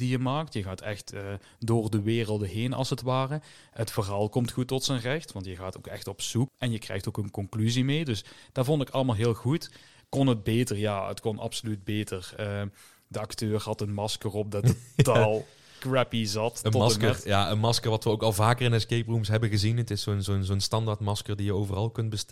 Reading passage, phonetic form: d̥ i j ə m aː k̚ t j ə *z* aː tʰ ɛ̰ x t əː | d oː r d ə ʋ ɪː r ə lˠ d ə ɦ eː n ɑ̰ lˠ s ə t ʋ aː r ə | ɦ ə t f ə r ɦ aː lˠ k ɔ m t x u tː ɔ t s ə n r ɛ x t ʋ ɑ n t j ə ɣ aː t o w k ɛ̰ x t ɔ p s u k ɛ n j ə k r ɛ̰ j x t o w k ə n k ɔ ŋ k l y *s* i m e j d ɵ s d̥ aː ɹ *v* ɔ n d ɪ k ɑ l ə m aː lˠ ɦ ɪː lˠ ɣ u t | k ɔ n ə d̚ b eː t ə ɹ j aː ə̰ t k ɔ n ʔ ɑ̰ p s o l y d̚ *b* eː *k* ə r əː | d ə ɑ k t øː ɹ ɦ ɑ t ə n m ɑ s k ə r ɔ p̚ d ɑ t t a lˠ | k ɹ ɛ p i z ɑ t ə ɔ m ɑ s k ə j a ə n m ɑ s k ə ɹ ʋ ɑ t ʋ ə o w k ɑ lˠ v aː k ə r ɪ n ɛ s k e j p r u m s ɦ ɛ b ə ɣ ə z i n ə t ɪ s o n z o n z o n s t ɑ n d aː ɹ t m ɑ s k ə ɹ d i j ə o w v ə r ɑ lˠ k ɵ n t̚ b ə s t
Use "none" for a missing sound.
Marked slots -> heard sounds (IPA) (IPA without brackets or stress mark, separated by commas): ɣ, z, v, b, t